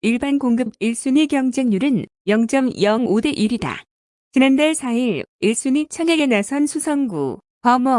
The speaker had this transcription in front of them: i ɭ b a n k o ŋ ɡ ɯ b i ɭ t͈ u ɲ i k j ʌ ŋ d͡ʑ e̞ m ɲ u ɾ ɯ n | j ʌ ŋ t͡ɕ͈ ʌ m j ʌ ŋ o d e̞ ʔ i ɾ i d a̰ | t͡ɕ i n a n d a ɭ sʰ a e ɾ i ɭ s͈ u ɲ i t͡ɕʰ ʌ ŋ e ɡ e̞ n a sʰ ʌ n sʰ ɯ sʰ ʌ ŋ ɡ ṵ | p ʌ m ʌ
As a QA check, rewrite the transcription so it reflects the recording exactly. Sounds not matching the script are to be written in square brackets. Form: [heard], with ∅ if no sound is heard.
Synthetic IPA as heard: i ɭ b a n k o ŋ ɡ ɯ b i ɭ [s͈] u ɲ i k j ʌ ŋ d͡ʑ e̞ [ŋ] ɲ u ɾ ɯ n | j ʌ ŋ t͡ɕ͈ ʌ m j ʌ ŋ o d e̞ ʔ i ɾ i d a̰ | t͡ɕ i n a n d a ɭ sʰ a [i] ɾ i ɭ s͈ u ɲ i t͡ɕʰ ʌ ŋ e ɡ e̞ n a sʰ ʌ n sʰ [u] sʰ ʌ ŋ ɡ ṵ | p ʌ m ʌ